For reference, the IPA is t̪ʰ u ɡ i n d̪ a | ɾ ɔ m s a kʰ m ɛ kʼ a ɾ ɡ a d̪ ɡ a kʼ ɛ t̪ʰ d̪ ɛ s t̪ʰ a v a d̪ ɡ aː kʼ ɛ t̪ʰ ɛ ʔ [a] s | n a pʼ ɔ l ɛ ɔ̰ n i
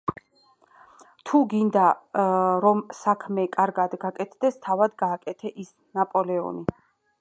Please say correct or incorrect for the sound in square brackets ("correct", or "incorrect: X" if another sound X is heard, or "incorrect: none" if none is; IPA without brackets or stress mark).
incorrect: i